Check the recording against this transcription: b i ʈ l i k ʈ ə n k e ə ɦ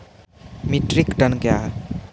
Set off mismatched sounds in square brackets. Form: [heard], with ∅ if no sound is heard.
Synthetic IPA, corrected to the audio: [m] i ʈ [ɾ] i k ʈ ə n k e [a] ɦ